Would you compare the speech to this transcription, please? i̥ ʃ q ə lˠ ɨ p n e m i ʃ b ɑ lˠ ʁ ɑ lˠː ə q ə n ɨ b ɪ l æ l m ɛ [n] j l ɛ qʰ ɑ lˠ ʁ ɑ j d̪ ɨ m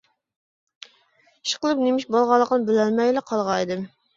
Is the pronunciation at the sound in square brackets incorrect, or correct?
incorrect